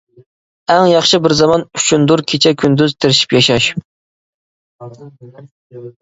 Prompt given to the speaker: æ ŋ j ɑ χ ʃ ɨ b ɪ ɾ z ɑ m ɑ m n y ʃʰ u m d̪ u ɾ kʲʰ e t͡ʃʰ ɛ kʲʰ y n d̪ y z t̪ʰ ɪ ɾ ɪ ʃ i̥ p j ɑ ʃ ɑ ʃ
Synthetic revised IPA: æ ŋ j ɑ χ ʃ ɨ b ɪ ɾ z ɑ m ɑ n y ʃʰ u n d̪ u ɾ kʲʰ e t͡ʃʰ ɛ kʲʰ y n d̪ y z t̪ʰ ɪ ɾ ɪ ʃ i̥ p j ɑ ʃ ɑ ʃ

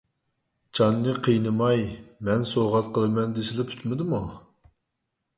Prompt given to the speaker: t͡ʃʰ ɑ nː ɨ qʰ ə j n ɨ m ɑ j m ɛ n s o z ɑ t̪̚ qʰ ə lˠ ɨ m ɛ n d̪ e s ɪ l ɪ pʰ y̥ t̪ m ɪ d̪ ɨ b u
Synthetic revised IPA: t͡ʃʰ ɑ nː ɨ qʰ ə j n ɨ m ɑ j m ɛ n s o ʁ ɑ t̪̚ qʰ ə lˠ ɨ m ɛ n d̪ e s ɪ l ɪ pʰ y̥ t̪ m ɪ d̪ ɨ m u

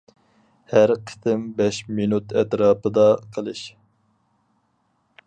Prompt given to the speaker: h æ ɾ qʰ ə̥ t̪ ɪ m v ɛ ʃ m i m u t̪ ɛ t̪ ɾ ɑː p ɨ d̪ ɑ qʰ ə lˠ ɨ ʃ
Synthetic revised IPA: h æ ɾ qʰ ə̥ t̪ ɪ m b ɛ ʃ m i n u t̪ ɛ t̪ ɾ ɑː p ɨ d̪ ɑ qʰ ə lˠ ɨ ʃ

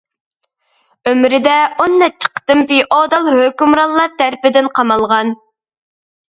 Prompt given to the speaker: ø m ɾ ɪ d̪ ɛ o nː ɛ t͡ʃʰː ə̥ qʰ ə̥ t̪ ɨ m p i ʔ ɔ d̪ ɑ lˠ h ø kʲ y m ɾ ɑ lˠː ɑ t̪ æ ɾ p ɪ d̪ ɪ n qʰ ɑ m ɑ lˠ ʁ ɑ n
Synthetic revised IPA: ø m ɾ ɪ d̪ ɛ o nː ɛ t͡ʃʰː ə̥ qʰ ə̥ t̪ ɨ m p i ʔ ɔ d̪ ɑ lˠ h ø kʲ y m ɾ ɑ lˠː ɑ t̪ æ ɾ p ɪ d̪ ɪ n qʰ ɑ m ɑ lˠ ʁ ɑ n

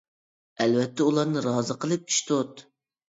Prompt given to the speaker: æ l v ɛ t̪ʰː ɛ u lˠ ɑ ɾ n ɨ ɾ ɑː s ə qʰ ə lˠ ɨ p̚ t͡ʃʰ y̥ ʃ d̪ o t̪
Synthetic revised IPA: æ l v ɛ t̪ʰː ɛ u lˠ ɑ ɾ n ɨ ɾ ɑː z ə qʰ ə lˠ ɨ p̚ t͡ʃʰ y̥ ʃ t̪ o t̪

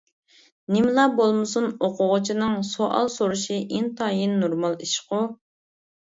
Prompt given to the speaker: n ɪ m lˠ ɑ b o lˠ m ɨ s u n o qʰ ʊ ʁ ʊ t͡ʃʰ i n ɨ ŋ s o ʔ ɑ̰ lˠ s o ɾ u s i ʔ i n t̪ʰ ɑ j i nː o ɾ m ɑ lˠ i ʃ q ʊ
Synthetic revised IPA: n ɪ m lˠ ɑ b o lˠ m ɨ s u n o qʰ ʊ ʁ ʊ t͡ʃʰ i n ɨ ŋ s o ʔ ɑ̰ lˠ s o ɾ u ʃ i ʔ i n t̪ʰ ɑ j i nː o ɾ m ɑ lˠ i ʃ q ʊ

